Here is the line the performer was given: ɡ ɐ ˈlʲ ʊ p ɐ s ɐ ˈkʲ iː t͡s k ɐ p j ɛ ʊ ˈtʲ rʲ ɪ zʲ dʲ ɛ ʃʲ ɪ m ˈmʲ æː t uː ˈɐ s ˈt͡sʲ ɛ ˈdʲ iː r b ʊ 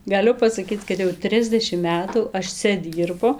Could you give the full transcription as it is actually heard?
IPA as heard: ɡ ɐ ˈlʲ ʊ p ɐ s ɐ ˈkʲ iː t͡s k ɐ t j ɛ ʊ ˈtʲ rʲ ɪ zʲ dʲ ɛ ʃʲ ɪ m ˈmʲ æː t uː ˈɐ ʃ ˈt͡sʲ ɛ ˈdʲ iː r b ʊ